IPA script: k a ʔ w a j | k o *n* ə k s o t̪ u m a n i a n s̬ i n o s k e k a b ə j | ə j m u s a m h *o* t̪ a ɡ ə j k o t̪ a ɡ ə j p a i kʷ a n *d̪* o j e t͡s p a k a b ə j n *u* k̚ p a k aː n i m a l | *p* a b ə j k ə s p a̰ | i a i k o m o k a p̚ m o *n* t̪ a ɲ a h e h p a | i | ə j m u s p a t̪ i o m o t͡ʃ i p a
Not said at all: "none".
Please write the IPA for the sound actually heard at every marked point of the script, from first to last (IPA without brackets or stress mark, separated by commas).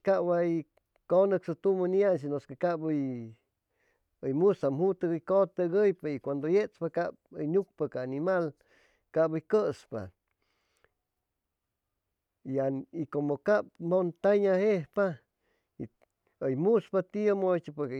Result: n, u, d̪, u, k, n